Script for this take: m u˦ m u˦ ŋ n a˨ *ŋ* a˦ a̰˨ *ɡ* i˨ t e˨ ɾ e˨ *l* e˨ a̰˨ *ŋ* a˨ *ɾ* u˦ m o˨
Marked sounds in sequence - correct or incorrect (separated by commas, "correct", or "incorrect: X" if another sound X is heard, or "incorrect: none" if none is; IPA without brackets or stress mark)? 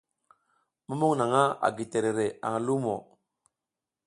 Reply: correct, correct, incorrect: ɾ, correct, incorrect: l